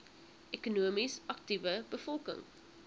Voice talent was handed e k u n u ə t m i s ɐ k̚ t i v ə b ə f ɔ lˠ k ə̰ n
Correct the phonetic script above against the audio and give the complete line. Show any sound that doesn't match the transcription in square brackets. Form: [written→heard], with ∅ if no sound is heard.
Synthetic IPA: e k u n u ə [t→∅] m i s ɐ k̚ t i v ə b ə f ɔ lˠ k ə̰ [n→ŋ]